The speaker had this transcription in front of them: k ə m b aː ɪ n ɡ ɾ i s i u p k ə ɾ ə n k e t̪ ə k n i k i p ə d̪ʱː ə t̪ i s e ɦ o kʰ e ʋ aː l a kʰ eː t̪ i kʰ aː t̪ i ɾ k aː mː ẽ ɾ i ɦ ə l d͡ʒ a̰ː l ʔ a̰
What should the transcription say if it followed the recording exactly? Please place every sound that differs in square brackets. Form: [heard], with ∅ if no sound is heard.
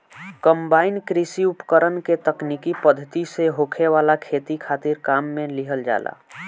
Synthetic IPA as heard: k ə m b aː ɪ n [k] ɾ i s i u p k ə ɾ ə n k e t̪ ə k n i k i p ə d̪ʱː ə t̪ i s e ɦ o kʰ e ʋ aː l a kʰ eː t̪ i kʰ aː t̪ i ɾ k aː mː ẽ [l] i ɦ ə l d͡ʒ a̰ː l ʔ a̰